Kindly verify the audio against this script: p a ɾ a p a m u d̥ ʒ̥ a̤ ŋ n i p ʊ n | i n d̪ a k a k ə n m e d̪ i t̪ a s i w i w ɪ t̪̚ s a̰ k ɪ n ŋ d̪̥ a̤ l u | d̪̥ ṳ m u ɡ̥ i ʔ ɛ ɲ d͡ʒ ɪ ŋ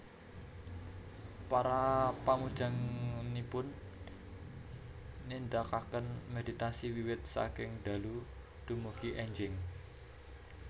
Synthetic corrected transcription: p a ɾ a p a m u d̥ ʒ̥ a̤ ŋ n i p ʊ n | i n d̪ a k a k ə n m e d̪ i t̪ a s i w i w ɪ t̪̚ s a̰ k ɪ ŋ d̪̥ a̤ l u | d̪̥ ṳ m u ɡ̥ i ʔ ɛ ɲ d͡ʒ ɪ ŋ